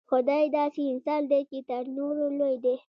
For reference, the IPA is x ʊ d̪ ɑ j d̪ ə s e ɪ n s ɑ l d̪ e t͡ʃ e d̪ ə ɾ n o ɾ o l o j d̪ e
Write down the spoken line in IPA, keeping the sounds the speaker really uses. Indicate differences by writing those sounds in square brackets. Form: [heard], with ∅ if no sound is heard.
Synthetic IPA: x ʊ d̪ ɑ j d̪ [ɑ] s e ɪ n s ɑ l d̪ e t͡ʃ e [t̪] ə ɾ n o ɾ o l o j d̪ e